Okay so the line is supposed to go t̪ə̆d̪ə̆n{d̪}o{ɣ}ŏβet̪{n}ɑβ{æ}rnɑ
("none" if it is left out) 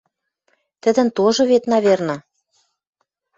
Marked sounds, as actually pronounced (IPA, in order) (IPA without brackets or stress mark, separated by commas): t̪, ʒ, n, e